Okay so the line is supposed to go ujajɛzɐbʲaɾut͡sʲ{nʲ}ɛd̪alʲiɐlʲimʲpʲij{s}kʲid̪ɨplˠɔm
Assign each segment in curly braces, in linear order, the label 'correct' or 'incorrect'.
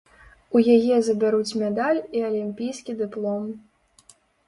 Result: incorrect: mʲ, correct

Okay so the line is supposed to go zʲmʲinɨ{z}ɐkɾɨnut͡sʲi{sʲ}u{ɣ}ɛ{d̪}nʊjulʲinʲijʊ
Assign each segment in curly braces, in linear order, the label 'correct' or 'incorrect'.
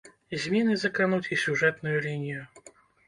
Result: correct, correct, incorrect: ʐ, incorrect: t̪

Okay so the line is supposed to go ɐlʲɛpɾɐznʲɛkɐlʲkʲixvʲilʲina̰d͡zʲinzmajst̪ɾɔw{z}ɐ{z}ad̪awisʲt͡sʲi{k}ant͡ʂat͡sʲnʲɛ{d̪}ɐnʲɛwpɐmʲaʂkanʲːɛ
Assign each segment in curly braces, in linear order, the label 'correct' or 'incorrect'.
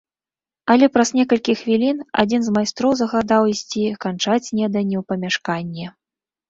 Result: correct, incorrect: ɣ, correct, correct

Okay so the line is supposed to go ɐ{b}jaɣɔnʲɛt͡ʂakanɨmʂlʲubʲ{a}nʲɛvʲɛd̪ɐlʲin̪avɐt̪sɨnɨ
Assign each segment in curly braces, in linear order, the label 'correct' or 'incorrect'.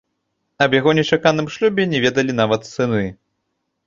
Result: correct, incorrect: ɛ

